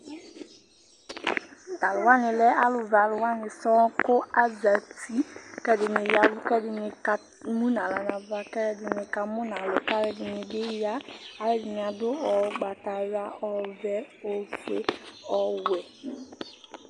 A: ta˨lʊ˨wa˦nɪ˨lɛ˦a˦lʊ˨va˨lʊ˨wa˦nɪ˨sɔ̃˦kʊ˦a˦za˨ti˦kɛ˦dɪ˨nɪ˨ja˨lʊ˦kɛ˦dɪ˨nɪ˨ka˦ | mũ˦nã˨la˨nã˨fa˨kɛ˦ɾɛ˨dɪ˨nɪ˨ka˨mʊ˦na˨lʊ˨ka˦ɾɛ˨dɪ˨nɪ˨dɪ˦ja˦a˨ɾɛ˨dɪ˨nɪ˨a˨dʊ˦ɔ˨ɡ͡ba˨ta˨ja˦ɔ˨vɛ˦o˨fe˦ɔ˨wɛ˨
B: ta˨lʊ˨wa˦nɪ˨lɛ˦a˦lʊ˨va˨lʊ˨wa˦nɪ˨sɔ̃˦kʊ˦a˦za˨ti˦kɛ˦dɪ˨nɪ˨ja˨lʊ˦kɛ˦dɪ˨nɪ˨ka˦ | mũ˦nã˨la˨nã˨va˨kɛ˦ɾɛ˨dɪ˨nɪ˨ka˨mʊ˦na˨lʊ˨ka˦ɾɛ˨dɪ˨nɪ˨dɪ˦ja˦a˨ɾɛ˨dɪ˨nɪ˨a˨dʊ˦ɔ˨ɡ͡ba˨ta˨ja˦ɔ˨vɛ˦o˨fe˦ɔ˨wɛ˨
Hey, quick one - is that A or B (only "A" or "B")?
B